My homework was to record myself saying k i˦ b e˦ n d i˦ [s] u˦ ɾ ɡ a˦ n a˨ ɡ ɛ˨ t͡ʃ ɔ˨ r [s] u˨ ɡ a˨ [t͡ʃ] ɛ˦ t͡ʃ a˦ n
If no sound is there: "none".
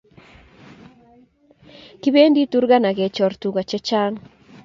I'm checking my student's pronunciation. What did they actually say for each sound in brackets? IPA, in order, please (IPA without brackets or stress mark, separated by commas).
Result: t, t, t͡ʃ